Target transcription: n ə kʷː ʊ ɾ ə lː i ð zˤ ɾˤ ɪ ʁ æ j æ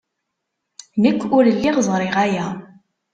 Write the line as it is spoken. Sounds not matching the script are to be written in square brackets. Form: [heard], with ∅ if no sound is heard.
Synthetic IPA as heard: n ə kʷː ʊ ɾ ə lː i [ʁ] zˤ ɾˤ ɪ ʁ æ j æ